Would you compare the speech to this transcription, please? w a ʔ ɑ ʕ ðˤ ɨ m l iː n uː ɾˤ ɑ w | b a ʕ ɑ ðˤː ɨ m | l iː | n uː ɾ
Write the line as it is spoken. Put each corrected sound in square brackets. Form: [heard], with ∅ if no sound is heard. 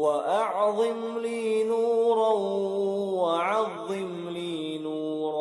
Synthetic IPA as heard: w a ʔ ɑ ʕ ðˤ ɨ m l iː n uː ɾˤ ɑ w | [w] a ʕ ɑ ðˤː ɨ m | l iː | n uː ɾ

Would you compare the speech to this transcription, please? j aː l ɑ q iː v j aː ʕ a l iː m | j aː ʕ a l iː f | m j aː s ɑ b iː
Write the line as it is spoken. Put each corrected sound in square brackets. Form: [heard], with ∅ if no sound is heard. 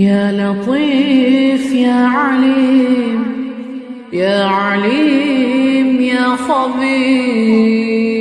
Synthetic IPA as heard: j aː l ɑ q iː [f] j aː ʕ a l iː m | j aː ʕ a l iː [∅] | m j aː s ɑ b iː

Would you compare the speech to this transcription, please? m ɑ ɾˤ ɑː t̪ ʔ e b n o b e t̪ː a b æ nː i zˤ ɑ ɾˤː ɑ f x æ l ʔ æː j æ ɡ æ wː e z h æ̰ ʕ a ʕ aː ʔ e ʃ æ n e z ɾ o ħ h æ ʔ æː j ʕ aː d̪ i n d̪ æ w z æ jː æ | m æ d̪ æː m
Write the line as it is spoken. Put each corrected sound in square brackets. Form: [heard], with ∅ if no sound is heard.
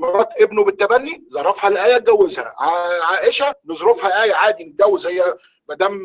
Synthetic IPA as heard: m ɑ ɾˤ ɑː t̪ ʔ e b n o b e t̪ː [æ] b æ nː i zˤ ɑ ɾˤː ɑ f [h] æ l ʔ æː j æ ɡ æ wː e z h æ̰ ʕ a ʕ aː ʔ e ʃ æ n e z ɾ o [f] h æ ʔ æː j ʕ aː d̪ i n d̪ æ w z æ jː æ | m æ d̪ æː m

